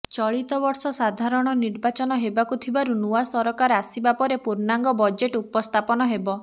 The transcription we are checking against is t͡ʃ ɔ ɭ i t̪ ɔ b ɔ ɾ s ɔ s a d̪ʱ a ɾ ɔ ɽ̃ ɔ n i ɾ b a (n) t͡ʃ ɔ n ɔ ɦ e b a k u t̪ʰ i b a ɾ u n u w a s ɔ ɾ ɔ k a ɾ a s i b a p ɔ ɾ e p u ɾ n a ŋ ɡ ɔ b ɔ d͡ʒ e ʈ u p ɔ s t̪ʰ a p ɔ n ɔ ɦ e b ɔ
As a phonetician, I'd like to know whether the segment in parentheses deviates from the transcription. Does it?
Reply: yes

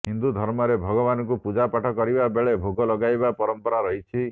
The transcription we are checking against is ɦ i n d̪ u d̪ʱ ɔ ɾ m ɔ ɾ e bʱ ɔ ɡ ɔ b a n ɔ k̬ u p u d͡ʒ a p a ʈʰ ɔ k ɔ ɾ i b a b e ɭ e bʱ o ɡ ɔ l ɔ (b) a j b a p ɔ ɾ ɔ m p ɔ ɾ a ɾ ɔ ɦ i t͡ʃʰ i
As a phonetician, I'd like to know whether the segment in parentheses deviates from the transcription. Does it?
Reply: yes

